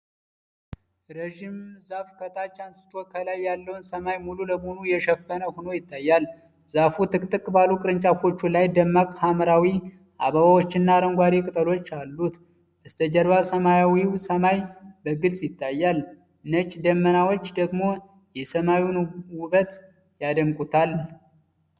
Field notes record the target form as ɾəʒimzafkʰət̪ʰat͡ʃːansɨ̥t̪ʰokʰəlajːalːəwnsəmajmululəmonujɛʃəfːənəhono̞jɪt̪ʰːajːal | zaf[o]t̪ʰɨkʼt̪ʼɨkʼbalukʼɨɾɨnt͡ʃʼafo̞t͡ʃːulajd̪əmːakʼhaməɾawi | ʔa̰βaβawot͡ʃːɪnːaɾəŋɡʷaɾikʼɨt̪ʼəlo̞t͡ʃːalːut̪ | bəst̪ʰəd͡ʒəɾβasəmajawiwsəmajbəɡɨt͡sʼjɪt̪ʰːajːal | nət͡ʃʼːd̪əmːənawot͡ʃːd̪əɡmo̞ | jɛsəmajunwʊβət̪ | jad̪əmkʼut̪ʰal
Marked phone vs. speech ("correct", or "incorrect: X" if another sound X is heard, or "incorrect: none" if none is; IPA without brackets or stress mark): incorrect: u